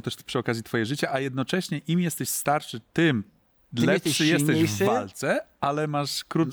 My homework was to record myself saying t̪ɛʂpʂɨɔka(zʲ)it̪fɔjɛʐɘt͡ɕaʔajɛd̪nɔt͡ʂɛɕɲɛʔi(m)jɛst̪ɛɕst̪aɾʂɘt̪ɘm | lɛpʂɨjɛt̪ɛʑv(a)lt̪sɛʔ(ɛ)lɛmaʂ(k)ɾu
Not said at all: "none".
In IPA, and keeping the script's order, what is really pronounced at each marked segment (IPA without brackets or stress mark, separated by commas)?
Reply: zʲ, m, a, a, k